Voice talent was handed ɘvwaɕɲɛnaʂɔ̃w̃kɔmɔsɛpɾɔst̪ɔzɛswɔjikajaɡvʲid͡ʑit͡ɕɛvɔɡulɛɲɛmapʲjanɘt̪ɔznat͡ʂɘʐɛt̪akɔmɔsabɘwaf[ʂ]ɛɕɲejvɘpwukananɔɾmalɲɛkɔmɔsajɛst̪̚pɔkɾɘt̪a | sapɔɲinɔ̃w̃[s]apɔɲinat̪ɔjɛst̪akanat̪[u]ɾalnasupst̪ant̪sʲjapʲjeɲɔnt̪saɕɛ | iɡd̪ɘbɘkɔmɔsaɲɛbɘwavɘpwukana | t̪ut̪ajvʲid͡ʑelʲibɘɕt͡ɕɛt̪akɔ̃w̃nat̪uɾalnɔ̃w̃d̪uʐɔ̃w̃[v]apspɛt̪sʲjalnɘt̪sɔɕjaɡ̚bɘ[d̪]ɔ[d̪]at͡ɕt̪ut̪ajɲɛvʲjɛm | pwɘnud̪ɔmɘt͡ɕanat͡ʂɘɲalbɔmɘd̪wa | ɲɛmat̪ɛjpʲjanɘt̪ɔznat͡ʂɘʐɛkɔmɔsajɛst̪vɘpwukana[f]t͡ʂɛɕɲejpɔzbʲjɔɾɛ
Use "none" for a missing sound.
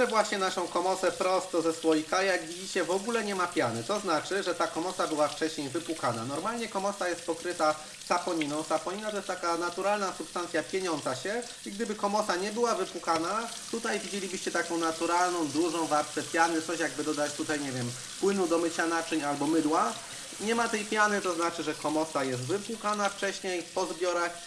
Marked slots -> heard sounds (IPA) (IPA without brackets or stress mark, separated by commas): t͡ʂ, s, u, v, d̪, d̪, f